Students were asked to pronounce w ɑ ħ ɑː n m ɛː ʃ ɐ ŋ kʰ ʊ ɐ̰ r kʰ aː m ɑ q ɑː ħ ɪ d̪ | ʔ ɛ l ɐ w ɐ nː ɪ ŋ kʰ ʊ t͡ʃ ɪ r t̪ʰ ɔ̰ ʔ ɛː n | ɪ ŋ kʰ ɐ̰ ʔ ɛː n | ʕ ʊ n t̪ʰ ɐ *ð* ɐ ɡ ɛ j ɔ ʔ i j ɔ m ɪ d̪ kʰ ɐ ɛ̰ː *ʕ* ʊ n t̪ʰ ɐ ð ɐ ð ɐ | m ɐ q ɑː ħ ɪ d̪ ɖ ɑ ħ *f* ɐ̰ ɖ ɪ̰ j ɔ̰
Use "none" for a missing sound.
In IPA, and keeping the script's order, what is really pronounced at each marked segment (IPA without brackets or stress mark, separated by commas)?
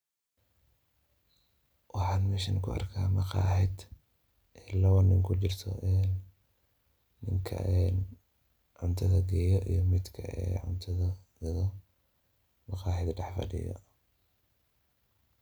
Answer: ð, ʕ, f